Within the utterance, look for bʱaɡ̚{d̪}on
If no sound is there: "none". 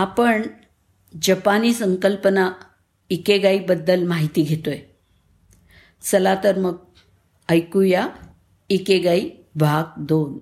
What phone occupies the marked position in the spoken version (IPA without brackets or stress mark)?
d̪